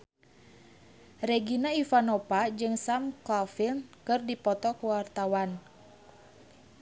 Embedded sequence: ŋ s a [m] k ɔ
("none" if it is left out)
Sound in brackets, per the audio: m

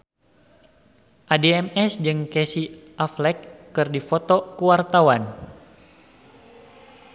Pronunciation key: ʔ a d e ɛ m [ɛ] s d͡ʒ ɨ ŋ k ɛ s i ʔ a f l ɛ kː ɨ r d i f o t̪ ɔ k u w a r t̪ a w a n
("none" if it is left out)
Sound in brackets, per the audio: ɛ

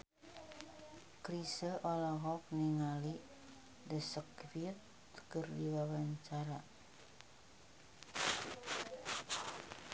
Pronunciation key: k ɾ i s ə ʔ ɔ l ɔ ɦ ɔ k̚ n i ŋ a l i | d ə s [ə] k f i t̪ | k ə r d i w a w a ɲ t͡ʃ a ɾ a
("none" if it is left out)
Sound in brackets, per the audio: ə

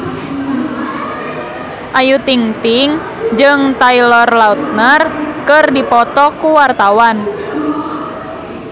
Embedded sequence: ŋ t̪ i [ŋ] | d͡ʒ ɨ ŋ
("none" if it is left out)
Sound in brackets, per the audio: ŋ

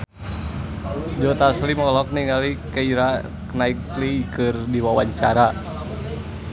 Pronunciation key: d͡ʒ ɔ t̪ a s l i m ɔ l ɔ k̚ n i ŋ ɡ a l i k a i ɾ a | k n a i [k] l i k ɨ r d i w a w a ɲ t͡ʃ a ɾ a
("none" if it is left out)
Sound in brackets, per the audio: k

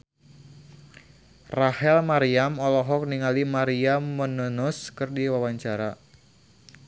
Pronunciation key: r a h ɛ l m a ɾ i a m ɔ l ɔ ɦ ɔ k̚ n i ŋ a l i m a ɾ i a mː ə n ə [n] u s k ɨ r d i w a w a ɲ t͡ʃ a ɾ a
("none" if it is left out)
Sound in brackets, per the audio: n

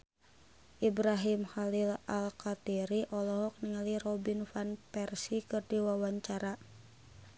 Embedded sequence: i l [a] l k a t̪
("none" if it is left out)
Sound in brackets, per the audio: a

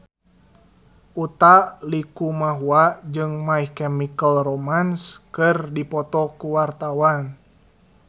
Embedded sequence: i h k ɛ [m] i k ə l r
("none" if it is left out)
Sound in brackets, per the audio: m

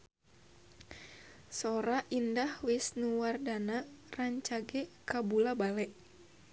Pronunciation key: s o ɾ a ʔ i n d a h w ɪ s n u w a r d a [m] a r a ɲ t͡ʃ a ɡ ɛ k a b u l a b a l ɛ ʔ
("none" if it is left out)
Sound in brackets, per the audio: n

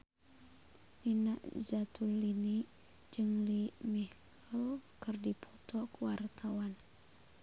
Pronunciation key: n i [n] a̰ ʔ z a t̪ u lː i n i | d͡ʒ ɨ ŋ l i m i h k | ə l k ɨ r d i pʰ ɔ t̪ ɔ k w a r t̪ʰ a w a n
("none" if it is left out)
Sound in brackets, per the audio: n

